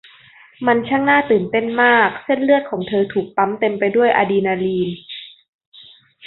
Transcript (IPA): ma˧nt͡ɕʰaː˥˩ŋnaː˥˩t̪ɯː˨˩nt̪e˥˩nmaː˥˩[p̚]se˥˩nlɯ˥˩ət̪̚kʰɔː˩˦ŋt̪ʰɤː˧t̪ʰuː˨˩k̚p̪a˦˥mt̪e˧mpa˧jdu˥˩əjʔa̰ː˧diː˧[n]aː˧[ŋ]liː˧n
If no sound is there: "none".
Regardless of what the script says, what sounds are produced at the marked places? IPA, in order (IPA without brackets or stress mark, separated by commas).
k̚, n, none